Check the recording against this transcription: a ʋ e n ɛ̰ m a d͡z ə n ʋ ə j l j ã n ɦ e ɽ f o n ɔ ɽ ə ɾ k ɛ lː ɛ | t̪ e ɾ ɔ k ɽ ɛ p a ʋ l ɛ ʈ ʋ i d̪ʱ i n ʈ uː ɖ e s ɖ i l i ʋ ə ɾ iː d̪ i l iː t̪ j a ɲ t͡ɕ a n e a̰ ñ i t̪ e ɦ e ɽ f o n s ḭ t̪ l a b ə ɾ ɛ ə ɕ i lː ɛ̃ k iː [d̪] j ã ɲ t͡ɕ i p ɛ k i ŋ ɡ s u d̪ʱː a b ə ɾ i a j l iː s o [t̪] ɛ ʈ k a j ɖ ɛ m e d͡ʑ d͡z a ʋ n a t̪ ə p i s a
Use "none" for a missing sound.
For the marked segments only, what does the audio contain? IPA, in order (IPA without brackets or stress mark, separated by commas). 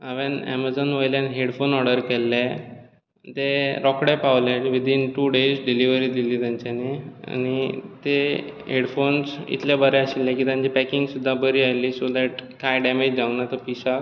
t̪, d̪